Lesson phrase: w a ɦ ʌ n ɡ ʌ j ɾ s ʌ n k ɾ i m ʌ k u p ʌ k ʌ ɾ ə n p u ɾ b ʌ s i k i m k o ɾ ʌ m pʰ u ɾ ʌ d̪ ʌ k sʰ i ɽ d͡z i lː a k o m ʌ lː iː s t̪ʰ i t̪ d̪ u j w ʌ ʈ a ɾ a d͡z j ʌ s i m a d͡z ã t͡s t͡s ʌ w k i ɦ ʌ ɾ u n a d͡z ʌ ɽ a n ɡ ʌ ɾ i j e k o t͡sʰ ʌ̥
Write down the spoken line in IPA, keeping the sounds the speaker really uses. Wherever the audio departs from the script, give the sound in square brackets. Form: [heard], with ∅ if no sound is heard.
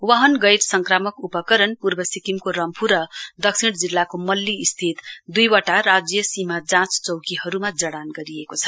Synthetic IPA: w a ɦ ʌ n ɡ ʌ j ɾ s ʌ [ŋ] k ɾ [a] m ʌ k u p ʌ k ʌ ɾ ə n p u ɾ b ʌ s i k i m k o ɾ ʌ m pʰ u ɾ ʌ d̪ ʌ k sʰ i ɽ d͡z i lː a k o m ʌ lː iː s t̪ʰ i t̪ d̪ u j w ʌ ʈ a ɾ a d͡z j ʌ s i m a d͡z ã t͡s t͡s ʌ w k i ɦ ʌ ɾ u [m] a d͡z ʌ ɽ a n ɡ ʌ ɾ i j e k o t͡sʰ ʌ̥